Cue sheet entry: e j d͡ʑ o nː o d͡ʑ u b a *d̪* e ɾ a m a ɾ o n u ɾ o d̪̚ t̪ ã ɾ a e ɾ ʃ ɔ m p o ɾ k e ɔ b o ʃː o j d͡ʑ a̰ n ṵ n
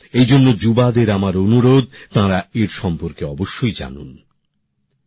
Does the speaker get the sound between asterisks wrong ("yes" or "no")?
no